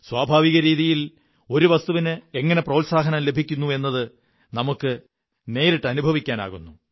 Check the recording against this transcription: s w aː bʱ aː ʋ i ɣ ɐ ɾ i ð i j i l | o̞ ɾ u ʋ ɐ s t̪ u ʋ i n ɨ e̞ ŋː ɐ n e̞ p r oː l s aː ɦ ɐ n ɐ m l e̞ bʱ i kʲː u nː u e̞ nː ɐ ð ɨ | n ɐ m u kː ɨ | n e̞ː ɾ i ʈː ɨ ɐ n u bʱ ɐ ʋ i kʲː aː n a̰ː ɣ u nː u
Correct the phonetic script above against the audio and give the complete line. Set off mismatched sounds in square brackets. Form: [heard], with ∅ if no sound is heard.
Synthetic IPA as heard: s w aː bʱ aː ʋ i ɣ ɐ ɾ [iː] ð i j i l | o̞ ɾ u ʋ ɐ s t̪ u ʋ i n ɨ e̞ ŋː ɐ n e̞ p r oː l s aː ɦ ɐ n ɐ m l e̞ bʱ i kʲː u nː u e̞ nː ɐ ð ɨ | n ɐ m u kː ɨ | n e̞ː ɾ i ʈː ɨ ɐ n u bʱ ɐ ʋ i kʲː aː n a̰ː ɣ u nː u

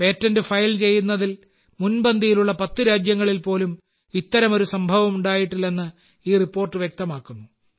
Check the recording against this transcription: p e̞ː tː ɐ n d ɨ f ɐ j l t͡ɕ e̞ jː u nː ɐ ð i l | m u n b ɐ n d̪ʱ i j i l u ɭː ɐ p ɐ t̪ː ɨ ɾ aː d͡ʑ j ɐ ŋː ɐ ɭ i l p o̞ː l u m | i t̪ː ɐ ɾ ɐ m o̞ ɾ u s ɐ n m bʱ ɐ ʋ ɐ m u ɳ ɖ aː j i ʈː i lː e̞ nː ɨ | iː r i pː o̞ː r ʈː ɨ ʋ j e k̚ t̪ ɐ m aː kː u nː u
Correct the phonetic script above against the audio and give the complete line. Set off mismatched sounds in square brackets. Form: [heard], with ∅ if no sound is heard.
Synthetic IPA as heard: p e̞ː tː ɐ n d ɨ f ɐ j l t͡ɕ e̞ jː u nː ɐ ð i l | m u n b ɐ n d̪ʱ i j i l u ɭː ɐ p ɐ t̪ː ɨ ɾ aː d͡ʑ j ɐ ŋː ɐ ɭ i l p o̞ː l u m | i t̪ː ɐ ɾ ɐ m o̞ ɾ u s ɐ [∅] m bʱ ɐ ʋ ɐ m u ɳ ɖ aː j i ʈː i lː e̞ nː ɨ | iː r i pː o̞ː r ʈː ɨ ʋ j e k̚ t̪ ɐ m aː kː u nː u

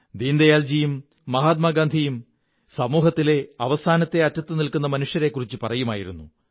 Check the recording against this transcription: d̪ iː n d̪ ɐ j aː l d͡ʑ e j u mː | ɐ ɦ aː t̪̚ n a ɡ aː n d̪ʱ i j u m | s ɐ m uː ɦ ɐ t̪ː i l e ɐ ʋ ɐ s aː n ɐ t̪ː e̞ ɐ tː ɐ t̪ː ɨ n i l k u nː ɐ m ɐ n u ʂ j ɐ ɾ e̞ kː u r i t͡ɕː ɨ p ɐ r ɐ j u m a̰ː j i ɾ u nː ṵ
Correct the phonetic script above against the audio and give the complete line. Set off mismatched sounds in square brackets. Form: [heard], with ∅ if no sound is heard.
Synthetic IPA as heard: d̪ iː n d̪ ɐ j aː l d͡ʑ [i] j u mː | ɐ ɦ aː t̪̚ [m] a ɡ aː n d̪ʱ i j u m | s ɐ m uː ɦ ɐ t̪ː i l e ɐ ʋ ɐ s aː n ɐ t̪ː e̞ ɐ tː ɐ t̪ː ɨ n i l k u nː ɐ m ɐ n u ʂ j ɐ ɾ e̞ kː u r i t͡ɕː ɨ p ɐ r ɐ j u m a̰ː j i ɾ u nː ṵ

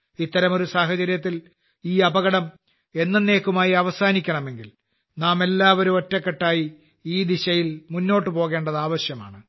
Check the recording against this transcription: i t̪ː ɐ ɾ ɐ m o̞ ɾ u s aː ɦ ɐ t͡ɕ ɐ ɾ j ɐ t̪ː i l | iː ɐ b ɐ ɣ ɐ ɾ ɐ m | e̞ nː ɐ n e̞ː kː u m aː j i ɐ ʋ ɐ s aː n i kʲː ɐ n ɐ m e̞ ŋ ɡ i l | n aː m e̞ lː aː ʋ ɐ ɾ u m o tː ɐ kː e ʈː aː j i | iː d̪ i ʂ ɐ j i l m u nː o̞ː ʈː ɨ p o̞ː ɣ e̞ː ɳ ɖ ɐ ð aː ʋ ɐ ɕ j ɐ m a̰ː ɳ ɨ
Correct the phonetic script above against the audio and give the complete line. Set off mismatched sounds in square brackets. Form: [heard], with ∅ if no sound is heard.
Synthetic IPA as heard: i t̪ː ɐ ɾ ɐ m o̞ ɾ u s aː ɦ ɐ t͡ɕ ɐ ɾ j ɐ t̪ː i l | iː ɐ b ɐ ɣ ɐ [ɽ] ɐ m | e̞ nː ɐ n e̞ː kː u m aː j i ɐ ʋ ɐ s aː n i kʲː ɐ [ɳ] ɐ m e̞ ŋ ɡ i l | n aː m e̞ lː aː ʋ ɐ ɾ u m o tː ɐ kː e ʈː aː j i | iː d̪ i [ɕ] ɐ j i l m u nː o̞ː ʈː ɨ p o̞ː ɣ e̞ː ɳ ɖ ɐ ð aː ʋ ɐ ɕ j ɐ m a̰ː ɳ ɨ

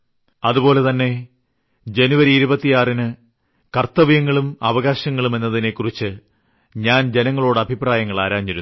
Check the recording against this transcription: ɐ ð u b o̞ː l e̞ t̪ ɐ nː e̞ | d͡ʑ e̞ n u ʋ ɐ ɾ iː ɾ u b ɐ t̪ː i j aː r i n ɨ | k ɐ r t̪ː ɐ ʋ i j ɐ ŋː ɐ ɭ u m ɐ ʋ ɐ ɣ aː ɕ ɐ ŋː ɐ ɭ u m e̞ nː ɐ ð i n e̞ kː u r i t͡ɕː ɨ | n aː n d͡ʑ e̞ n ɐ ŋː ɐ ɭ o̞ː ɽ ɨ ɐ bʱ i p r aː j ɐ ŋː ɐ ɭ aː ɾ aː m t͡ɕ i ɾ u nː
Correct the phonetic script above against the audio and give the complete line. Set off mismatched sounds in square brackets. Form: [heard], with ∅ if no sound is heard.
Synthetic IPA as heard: ɐ ð u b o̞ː l e̞ t̪ ɐ nː e̞ | d͡ʑ e̞ n u ʋ ɐ ɾ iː ɾ u b ɐ t̪ː i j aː r i n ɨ | k ɐ r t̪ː ɐ ʋ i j ɐ ŋː ɐ ɭ u m ɐ ʋ ɐ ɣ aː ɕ ɐ ŋː ɐ ɭ u m e̞ nː ɐ ð i n e̞ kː u r i t͡ɕː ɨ | [ɲ] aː n d͡ʑ e̞ n ɐ ŋː ɐ ɭ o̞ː ɽ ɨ ɐ bʱ i p r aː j ɐ ŋː ɐ ɭ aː ɾ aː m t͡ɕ i ɾ u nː

